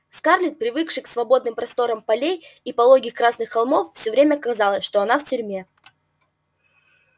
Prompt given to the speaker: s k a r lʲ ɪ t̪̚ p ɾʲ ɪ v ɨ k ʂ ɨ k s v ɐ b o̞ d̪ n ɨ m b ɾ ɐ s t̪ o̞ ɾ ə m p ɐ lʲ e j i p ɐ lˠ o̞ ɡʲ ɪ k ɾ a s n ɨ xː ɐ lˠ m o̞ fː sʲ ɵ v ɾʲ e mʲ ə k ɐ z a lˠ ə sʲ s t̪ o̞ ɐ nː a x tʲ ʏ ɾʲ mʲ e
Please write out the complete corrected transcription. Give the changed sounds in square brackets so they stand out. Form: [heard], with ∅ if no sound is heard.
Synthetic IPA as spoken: s k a r lʲ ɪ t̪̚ p ɾʲ ɪ v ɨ k ʂ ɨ k s v ɐ b o̞ d̪ n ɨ m [p] ɾ ɐ s t̪ o̞ ɾ ə m p ɐ lʲ e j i p ɐ lˠ o̞ ɡʲ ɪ k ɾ a s n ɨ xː ɐ lˠ m o̞ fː sʲ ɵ v ɾʲ e mʲ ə k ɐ z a lˠ ə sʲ [ʂ] t̪ o̞ ɐ [n] a [f] tʲ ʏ ɾʲ mʲ e

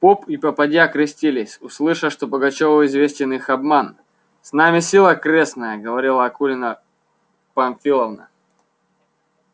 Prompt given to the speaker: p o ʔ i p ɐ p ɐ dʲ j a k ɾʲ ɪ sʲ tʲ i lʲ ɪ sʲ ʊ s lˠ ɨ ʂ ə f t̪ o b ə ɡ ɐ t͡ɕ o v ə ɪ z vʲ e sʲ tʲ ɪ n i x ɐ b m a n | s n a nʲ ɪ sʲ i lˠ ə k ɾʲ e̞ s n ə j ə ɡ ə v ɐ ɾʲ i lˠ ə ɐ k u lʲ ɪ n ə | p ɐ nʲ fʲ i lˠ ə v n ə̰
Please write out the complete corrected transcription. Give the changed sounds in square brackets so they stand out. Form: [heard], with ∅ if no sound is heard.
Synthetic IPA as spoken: p o [p] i p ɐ p ɐ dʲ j a k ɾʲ ɪ sʲ tʲ i lʲ ɪ sʲ ʊ s lˠ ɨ ʂ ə [ʂ] t̪ o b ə ɡ ɐ t͡ɕ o v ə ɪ z vʲ e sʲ tʲ ɪ n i x ɐ b m a n | s n a [mʲ] ɪ sʲ i lˠ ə k ɾʲ e̞ s n ə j ə ɡ ə v ɐ ɾʲ i lˠ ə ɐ k u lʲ ɪ n ə | p ɐ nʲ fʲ i lˠ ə v n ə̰

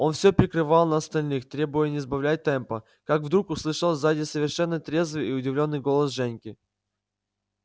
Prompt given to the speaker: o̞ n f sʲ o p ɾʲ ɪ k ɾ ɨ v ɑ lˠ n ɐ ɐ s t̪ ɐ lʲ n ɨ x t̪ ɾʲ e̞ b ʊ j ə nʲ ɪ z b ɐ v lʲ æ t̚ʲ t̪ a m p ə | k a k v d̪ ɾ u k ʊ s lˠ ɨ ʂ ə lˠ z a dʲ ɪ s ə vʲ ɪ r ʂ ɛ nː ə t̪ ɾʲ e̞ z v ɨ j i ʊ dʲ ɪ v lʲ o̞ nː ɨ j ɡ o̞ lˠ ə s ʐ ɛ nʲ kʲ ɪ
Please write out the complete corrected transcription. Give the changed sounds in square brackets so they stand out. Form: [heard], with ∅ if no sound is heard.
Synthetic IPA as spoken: o̞ n f sʲ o p ɾʲ ɪ k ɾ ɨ v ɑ lˠ n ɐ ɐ s t̪ ɐ lʲ n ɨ x t̪ ɾʲ e̞ b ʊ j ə nʲ ɪ z b ɐ v lʲ æ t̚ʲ t̪ [ɛ] m p ə | k a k v d̪ ɾ u k ʊ s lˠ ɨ ʂ ə lˠ z a dʲ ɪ s ə vʲ ɪ r ʂ ɛ nː ə t̪ ɾʲ e̞ z v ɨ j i ʊ dʲ ɪ v lʲ o̞ nː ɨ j ɡ o̞ lˠ ə s ʐ ɛ nʲ kʲ ɪ

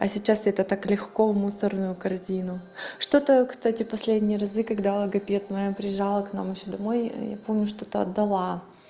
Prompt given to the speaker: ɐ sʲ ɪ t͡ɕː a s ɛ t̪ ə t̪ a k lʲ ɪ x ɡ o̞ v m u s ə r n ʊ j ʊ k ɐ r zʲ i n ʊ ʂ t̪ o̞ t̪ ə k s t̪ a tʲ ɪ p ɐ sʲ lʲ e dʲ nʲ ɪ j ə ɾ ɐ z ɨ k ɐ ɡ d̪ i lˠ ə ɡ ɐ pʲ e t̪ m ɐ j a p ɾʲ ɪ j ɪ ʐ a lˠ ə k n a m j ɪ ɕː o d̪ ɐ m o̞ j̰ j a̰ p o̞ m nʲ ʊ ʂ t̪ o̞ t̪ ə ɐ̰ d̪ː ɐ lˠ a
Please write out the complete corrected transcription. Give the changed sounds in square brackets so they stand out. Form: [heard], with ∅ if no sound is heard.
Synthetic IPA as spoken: ɐ sʲ ɪ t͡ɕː a s ɛ t̪ ə t̪ a k lʲ ɪ x [k] o̞ v m u s ə r n ʊ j ʊ k ɐ r zʲ i n ʊ ʂ t̪ o̞ t̪ ə k s t̪ a tʲ ɪ p ɐ sʲ lʲ e dʲ nʲ ɪ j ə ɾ ɐ z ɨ k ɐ ɡ d̪ [a] lˠ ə ɡ ɐ pʲ e t̪ m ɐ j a p ɾʲ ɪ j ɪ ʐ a lˠ ə k n a m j ɪ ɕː o d̪ ɐ m o̞ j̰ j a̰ p o̞ m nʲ ʊ ʂ t̪ o̞ t̪ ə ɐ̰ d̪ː ɐ lˠ a

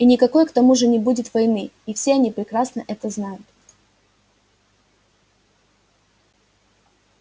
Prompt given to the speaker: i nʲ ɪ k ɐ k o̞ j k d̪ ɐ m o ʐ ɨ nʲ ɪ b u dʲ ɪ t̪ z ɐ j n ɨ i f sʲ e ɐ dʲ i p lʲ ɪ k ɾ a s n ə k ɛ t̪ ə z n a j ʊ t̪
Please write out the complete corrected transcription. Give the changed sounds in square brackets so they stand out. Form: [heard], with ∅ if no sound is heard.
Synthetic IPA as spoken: i nʲ ɪ k ɐ k o̞ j k [t̪] ɐ m [u] ʐ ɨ nʲ ɪ b u dʲ ɪ t̪ [v] ɐ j n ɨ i f sʲ e ɐ [nʲ] i p [ɾʲ] ɪ k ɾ a s n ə [ʔ] ɛ t̪ ə z n a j ʊ t̪

